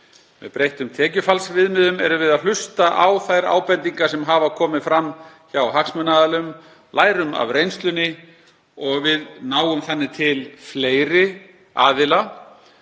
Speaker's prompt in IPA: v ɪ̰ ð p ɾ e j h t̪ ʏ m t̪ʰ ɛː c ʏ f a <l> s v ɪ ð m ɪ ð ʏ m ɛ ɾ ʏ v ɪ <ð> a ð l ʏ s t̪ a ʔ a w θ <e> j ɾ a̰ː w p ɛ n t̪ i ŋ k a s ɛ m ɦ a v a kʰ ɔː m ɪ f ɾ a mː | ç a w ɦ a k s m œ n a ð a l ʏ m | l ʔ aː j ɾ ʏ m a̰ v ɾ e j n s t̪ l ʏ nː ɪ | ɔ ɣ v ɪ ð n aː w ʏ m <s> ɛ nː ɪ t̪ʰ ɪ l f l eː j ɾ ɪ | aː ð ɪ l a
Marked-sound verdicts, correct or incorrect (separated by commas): correct, correct, incorrect, incorrect